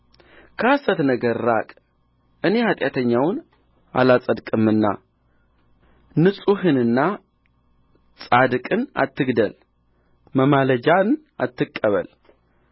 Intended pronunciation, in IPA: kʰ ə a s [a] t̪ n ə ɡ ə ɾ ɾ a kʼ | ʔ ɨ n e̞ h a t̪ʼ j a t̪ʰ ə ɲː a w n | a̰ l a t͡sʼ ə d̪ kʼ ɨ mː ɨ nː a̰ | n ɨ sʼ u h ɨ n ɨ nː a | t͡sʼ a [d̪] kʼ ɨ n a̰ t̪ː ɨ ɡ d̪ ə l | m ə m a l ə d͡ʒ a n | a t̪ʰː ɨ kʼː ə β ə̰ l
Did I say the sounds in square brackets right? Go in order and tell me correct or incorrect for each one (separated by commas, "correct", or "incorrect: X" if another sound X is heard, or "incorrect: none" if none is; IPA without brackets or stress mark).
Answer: incorrect: ə, correct